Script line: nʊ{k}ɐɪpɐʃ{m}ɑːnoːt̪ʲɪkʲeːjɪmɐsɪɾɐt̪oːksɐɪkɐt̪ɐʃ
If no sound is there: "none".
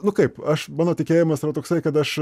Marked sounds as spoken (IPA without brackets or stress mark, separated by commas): k, m